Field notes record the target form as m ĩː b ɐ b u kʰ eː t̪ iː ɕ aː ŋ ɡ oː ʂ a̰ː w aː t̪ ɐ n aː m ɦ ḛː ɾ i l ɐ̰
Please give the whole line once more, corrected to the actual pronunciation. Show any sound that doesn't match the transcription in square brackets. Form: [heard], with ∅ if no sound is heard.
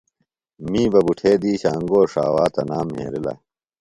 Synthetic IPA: m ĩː b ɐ b u [ʈʰ] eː [d̪] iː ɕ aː ŋ ɡ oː ʂ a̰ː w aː t̪ ɐ n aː m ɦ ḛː ɾ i l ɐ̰